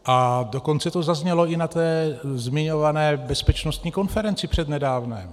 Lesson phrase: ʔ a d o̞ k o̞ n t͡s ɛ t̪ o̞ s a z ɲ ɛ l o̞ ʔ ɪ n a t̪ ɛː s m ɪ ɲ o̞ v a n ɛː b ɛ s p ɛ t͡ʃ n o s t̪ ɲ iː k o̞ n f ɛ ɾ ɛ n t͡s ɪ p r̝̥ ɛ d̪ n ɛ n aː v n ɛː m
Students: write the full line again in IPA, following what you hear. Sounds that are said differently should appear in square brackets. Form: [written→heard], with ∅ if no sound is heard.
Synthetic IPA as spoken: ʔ a d o̞ k o̞ n t͡s ɛ t̪ o̞ [s→z] a z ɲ ɛ l o̞ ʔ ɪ n a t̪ ɛː [s→z] m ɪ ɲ o̞ v a n ɛː b ɛ s p ɛ t͡ʃ n o s t̪ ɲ iː k o̞ n f ɛ ɾ ɛ n t͡s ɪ p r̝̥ ɛ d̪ n ɛ [n→d] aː v n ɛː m